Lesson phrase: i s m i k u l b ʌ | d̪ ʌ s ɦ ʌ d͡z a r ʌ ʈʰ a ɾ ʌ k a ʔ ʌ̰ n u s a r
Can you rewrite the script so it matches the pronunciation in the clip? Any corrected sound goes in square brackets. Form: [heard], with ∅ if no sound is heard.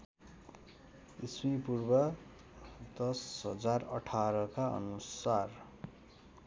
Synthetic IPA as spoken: i s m i [p] u [r] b ʌ | d̪ ʌ s ɦ ʌ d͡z a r ʌ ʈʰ a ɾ ʌ k a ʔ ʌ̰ n u s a r